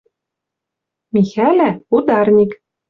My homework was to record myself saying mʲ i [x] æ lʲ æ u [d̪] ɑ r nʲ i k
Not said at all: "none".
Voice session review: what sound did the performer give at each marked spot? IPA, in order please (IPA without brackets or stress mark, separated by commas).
x, d̪